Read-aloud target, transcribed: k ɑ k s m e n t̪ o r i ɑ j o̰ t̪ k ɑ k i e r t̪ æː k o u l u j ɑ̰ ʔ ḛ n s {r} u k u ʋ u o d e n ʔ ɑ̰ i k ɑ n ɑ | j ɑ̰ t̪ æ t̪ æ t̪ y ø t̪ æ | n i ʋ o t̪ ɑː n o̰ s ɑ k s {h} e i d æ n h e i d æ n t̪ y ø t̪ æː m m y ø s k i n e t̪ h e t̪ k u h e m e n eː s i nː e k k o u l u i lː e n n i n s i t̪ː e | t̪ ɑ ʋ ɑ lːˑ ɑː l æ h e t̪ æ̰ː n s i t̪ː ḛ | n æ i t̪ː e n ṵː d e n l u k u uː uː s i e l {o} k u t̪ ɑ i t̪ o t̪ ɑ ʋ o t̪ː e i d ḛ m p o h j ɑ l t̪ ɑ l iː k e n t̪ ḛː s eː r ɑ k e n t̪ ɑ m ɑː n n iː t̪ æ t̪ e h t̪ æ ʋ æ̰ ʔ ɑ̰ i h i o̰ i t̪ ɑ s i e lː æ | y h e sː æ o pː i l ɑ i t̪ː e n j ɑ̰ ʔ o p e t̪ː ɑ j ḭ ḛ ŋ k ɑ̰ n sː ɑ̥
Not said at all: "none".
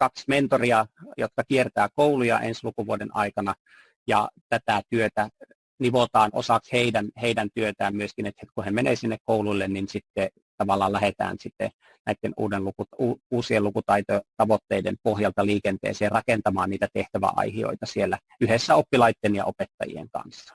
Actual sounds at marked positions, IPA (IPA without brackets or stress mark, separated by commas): l, h, u